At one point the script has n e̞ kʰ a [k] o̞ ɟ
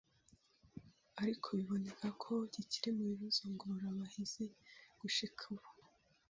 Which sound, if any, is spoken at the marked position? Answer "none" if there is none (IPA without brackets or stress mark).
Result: kʰ